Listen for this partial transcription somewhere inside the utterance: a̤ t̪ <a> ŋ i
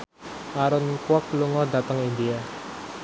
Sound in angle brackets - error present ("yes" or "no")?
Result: yes